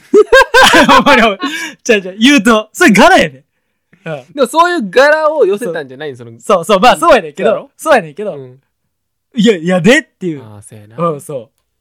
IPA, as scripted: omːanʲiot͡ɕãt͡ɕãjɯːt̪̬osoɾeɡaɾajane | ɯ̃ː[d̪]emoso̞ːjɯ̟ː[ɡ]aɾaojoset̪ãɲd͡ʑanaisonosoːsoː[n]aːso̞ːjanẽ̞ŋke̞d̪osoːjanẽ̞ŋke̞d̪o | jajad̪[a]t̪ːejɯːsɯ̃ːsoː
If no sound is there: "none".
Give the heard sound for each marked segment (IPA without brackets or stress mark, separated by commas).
d̪, ɡ, m, e